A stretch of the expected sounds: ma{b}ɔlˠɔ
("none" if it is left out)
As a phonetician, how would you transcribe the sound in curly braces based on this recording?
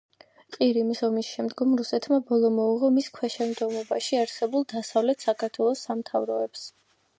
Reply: b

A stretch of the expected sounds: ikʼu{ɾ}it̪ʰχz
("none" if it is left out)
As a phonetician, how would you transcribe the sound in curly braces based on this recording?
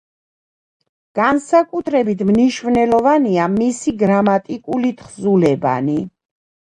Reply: l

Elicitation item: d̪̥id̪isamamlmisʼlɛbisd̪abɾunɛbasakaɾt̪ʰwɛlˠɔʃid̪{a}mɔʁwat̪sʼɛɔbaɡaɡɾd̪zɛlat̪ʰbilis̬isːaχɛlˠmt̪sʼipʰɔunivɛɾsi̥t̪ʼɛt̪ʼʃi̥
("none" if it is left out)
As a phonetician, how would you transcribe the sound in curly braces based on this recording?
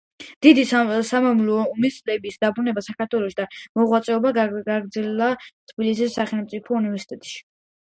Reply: a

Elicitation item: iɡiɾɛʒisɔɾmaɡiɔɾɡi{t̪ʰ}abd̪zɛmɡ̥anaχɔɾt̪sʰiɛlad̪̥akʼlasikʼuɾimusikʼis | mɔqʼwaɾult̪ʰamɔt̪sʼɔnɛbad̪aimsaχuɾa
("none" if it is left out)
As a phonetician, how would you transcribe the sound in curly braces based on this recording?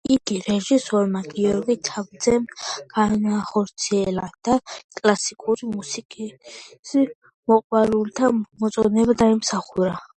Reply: t̪ʰ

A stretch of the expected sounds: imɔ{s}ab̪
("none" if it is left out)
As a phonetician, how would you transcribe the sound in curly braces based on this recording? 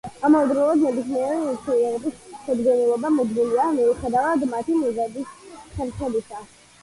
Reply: z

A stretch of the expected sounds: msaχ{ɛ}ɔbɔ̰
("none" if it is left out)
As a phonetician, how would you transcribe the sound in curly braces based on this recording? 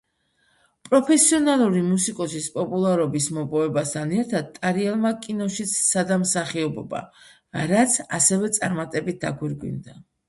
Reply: i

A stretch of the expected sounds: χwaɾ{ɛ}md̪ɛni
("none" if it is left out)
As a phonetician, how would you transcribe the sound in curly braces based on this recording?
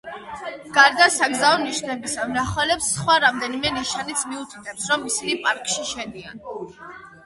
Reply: a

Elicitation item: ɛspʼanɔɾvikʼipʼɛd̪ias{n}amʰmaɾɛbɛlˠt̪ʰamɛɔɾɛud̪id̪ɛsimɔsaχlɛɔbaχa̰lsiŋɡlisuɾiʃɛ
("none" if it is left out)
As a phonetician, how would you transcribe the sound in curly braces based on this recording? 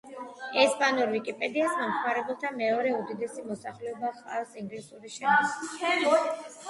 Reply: m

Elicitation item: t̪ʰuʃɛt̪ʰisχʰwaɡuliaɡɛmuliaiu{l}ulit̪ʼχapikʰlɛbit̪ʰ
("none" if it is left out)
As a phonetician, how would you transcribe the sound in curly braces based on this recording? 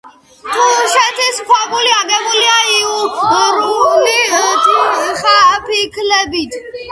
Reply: ɾ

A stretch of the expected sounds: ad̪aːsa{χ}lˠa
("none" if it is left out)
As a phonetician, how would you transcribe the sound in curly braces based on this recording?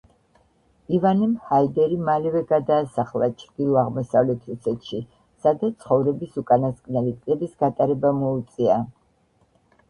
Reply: χ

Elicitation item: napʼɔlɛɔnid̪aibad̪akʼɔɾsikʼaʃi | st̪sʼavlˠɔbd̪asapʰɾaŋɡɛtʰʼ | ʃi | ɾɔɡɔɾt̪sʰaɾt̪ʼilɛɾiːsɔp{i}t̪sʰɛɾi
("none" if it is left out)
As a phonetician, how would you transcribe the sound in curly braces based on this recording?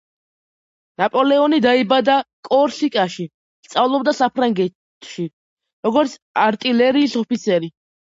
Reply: i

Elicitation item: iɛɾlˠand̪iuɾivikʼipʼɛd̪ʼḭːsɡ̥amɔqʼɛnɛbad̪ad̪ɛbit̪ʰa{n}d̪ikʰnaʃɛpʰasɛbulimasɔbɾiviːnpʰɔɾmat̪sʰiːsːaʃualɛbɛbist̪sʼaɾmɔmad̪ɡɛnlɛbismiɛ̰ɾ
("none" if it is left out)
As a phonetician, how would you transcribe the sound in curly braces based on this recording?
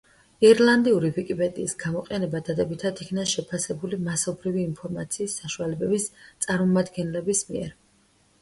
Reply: none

